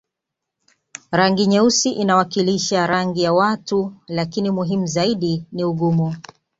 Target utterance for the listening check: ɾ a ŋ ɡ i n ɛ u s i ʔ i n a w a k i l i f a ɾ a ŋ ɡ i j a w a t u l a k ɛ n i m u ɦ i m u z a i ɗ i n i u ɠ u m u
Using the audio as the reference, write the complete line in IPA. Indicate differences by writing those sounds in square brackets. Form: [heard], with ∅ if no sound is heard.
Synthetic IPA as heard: ɾ a ŋ ɡ i [ɲ] ɛ u s i ʔ i n a w a k i l i [ʃ] a ɾ a ŋ ɡ i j a w a t u l a k [i] n i m u ɦ i m u z a i ɗ i n i u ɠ u m u